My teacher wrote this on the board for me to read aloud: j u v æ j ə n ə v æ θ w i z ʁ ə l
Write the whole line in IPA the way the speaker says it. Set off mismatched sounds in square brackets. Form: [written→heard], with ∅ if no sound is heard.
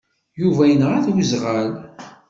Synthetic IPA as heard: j u v æ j ə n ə [v→ʁ] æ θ w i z ʁ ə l